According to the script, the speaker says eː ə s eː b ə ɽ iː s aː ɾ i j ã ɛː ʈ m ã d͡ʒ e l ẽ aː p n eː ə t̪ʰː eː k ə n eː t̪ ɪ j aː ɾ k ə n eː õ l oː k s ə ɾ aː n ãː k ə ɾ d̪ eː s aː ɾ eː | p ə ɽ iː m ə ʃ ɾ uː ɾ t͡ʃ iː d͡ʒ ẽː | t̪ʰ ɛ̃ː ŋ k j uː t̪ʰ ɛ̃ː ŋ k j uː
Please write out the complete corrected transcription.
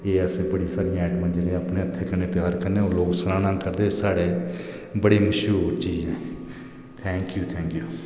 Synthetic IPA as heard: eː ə s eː b ə ɽ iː s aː ɾ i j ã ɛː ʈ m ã d͡ʒ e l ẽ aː p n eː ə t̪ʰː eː k ə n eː t̪ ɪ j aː ɾ k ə n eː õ l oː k s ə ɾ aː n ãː k ə ɾ d̪ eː s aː ɽ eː | b ə ɽ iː m ə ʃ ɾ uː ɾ t͡ʃ iː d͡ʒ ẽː | t̪ʰ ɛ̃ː ŋ k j uː t̪ʰ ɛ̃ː ŋ k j uː

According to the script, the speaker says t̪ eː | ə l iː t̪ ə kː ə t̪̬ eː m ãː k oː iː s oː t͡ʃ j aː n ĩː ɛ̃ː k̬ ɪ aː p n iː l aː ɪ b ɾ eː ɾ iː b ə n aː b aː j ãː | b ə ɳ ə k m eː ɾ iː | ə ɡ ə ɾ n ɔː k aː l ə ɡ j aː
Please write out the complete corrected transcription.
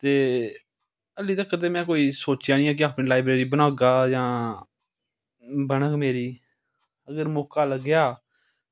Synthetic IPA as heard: t̪ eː | ə l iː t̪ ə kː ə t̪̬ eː m ɛ̃ː k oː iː s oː t͡ʃ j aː n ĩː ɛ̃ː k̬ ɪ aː p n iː l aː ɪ b ɾ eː ɾ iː b ə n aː ɡ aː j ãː | b ə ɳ ə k m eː ɾ iː | ə ɡ ə ɾ m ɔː k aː l ə ɡ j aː

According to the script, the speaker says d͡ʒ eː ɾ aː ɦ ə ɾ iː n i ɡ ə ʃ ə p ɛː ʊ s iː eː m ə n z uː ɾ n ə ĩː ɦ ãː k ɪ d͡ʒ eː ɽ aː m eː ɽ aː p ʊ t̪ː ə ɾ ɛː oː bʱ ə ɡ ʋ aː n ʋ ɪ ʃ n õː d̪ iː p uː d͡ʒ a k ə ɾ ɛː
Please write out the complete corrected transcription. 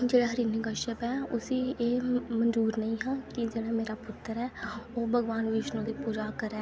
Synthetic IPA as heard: d͡ʒ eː ɽ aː ɦ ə ɾ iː n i ɡ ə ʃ ə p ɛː ʊ s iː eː m ə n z uː ɾ n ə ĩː ɦ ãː k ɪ d͡ʒ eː ɽ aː m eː ɾ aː p ʊ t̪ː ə ɾ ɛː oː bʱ ə ɡ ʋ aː n ʋ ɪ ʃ n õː d̪ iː p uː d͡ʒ a k ə ɾ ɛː

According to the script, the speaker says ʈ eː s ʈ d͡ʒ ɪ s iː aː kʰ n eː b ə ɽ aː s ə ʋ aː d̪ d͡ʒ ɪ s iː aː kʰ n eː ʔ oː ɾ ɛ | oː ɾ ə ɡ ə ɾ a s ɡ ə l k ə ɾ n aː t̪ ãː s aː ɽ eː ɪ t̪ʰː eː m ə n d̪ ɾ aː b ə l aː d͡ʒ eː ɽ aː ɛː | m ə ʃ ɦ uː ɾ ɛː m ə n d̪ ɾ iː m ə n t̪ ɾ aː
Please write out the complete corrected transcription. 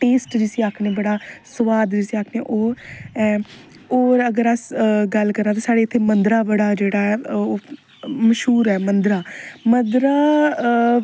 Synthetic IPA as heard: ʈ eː s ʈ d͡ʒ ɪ s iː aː kʰ n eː b ə ɽ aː s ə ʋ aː d̪ d͡ʒ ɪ s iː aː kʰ n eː ʔ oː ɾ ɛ | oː ɾ ə ɡ ə ɾ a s ɡ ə l k ə ɾ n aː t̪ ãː s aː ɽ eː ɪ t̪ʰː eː m ə n d̪ ɾ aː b ə ɽ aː d͡ʒ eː ɽ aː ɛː | m ə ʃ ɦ uː ɾ ɛː m ə n d̪ ɾ aː m ə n d̪ ɾ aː

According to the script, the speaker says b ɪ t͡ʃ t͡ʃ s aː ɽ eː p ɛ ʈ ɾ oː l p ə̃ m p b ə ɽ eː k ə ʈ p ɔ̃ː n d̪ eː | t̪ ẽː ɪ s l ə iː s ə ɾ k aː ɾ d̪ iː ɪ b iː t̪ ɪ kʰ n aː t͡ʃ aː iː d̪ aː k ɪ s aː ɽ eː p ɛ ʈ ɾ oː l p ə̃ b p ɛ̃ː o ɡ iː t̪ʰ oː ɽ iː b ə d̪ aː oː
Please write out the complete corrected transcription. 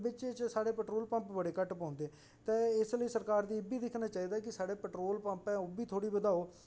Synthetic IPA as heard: b ɪ t͡ʃ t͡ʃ s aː ɽ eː p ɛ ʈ ɾ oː l p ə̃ m p b ə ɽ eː k ə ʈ p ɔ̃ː n d̪ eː | t̪ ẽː ɪ s l ə iː s ə ɾ k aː ɾ d̪ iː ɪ b iː d̪ ɪ kʰ n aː t͡ʃ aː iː d̪ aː k ɪ s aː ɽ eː p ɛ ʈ ɾ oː l p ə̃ m p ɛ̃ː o b iː t̪ʰ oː ɽ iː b ə d̪ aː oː

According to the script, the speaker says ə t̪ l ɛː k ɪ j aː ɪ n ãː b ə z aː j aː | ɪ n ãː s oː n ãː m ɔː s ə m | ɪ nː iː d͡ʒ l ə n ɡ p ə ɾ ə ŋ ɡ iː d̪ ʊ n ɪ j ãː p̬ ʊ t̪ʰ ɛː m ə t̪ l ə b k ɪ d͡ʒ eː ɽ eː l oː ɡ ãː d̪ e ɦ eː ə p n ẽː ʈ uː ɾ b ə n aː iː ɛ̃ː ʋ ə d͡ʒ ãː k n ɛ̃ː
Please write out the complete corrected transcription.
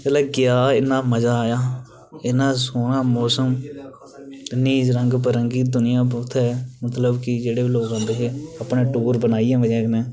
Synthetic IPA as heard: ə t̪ l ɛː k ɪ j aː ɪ n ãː m ə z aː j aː | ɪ n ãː s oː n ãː m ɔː s ə m | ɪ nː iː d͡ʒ ɾ ə ŋ ɡ p ə ɾ ə ŋ ɡ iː d̪ ʊ n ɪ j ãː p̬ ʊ t̪ʰ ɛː m ə t̪ l ə b k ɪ d͡ʒ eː ɽ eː l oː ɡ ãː d̪ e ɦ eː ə p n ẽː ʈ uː ɾ b ə n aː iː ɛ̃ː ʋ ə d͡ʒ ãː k n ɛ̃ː

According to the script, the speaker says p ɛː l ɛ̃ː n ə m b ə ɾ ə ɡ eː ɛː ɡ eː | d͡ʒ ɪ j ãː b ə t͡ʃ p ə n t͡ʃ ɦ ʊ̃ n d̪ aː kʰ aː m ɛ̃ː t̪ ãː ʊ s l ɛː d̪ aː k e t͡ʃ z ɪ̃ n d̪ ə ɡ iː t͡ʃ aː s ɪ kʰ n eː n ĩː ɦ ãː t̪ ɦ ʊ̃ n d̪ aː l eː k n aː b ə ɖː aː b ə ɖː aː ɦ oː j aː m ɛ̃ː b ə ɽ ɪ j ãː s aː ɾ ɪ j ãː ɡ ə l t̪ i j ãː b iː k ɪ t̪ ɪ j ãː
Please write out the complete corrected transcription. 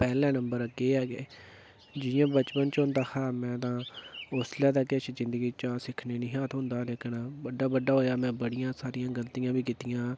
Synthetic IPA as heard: p ɛː l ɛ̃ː n ə m b ə ɾ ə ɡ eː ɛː ɡ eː | d͡ʒ ɪ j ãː b ə t͡ʃ p ə n t͡ʃ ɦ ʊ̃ n d̪ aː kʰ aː m ɛ̃ː t̪ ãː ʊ s l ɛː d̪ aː k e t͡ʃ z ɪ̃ n d̪ ə ɡ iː t͡ʃ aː s ɪ kʰ n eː n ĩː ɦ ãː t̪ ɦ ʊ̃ n d̪ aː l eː k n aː b ə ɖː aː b ə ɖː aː ɦ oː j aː m ɛ̃ː b ə ɽ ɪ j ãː s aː ɾ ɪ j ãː ɡ ə l t̪ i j ãː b iː k ɪ t̪ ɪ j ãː

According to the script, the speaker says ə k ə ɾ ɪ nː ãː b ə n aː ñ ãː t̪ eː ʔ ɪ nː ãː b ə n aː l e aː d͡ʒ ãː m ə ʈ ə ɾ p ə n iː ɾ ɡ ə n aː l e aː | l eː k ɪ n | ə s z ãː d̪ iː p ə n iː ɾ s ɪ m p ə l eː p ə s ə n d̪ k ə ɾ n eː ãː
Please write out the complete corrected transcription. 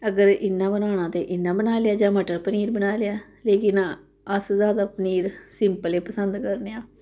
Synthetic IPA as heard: ə ɡ ə ɾ ɪ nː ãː b ə n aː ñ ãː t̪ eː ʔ ɪ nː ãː b ə n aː l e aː d͡ʒ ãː m ə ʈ ə ɾ p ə n iː ɾ b ə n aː l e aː | l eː k ɪ n | ə s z aː d̪ aː p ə n iː ɾ s ɪ m p ə l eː p ə s ə n d̪ k ə ɾ n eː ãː

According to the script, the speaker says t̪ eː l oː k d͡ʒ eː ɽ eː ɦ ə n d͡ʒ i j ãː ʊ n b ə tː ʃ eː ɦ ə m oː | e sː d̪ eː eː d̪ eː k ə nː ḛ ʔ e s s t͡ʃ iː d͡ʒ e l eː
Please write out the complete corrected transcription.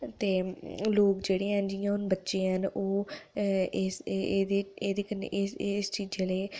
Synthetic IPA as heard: t̪ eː l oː k d͡ʒ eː ɽ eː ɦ ə n d͡ʒ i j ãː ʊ n b ə tː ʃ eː ɦ ə n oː | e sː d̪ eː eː d̪ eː k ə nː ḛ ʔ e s s t͡ʃ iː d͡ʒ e l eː

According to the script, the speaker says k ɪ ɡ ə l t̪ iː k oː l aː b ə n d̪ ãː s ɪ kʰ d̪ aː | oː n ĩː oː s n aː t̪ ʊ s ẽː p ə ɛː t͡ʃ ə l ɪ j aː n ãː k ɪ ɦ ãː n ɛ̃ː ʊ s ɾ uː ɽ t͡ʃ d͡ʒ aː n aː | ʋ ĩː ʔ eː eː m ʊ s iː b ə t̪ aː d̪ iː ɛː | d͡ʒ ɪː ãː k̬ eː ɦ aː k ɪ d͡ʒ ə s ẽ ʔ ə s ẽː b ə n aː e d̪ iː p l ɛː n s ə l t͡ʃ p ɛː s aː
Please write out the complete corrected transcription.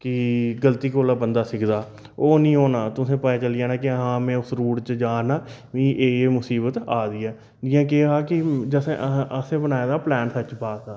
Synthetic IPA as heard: k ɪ ɡ ə l t̪ iː k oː l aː b ə n d̪ aː s ɪ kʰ d̪ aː | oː n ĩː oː n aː t̪ ʊ s ẽː p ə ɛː t͡ʃ ə l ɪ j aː n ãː k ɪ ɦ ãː m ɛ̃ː ʊ s ɾ uː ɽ t͡ʃ d͡ʒ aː n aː | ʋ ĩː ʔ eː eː m ʊ s iː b ə t̪ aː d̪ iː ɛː | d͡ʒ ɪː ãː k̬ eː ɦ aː k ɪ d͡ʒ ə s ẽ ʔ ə s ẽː b ə n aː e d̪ aː p l ɛː n s ə t͡ʃ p aː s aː

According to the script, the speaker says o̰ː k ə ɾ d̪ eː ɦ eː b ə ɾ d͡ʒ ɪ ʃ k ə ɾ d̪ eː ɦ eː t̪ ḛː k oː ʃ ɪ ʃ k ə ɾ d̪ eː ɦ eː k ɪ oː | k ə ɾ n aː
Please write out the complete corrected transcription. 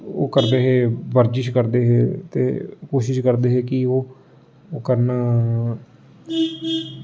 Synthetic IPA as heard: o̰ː k ə ɾ d̪ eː ɦ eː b ə ɾ d͡ʒ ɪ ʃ k ə ɾ d̪ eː ɦ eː t̪ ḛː k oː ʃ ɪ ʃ k ə ɾ d̪ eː ɦ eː k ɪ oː | k ə ɾ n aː

